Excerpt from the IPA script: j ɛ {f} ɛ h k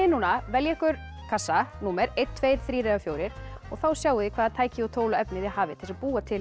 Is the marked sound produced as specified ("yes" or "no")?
no